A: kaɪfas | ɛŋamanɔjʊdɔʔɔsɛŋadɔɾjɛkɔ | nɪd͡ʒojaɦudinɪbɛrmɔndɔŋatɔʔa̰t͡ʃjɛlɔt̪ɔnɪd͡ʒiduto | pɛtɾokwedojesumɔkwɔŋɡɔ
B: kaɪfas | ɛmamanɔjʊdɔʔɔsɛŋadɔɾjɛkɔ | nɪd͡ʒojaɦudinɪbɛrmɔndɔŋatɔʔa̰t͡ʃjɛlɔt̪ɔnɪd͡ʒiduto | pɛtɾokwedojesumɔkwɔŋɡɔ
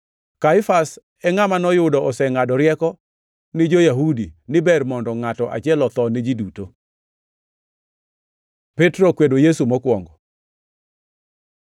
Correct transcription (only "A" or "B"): A